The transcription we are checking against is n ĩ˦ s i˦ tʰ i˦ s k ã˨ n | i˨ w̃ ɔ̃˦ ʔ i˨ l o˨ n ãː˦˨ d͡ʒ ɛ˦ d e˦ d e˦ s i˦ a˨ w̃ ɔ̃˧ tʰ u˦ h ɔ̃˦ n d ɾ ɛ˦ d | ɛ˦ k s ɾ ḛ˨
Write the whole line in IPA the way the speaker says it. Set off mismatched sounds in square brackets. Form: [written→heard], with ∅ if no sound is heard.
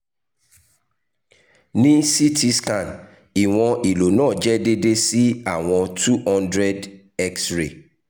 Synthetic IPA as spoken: n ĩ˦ s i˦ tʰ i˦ s k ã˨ n | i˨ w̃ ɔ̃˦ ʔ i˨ l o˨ n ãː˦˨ d͡ʒ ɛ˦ d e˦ d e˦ s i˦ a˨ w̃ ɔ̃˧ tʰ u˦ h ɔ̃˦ n d ɾ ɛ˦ d | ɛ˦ k s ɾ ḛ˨